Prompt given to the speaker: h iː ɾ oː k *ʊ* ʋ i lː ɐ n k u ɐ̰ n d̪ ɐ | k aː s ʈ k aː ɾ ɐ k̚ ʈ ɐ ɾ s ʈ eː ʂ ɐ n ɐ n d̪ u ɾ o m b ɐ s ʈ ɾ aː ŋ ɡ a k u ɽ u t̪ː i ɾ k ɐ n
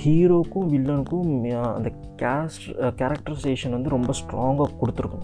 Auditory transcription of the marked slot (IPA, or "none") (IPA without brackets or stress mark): u